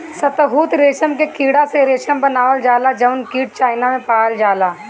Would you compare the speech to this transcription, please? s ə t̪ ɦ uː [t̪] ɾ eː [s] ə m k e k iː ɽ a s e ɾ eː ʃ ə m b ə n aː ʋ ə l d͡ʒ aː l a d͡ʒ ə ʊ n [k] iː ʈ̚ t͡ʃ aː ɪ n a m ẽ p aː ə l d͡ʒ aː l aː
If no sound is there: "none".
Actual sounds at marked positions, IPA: t̪, ʃ, k

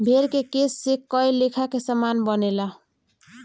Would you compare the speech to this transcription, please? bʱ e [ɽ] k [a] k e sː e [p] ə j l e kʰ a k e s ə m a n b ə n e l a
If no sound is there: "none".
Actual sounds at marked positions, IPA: ɾ, e, k

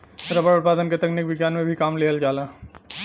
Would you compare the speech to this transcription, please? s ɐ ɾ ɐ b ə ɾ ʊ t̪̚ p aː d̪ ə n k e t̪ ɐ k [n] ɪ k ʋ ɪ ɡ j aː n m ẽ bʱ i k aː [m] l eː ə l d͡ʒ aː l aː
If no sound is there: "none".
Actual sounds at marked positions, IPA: n, m

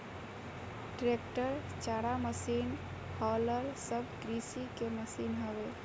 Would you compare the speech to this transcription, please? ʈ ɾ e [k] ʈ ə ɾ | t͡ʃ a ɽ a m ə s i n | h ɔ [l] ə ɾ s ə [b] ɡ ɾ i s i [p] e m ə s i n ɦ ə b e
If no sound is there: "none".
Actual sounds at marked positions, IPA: k, l, b, k

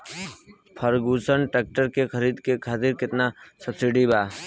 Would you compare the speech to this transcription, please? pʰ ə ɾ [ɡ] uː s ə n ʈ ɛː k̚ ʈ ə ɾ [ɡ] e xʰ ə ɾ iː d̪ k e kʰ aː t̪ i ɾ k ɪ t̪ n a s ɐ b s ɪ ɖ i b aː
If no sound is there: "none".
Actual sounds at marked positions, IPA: ɡ, k

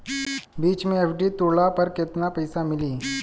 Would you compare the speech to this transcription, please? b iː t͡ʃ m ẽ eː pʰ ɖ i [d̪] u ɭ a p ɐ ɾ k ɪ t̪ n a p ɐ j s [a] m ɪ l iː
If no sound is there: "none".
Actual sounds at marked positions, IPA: t̪, a

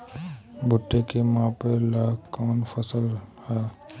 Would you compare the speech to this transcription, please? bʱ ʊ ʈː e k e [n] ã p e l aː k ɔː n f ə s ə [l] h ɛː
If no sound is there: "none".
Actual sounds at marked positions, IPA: m, l

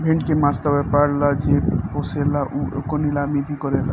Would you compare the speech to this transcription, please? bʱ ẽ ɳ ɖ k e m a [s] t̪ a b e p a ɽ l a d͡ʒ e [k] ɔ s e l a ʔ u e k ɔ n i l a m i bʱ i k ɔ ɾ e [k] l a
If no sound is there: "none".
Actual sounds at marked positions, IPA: s, p, none

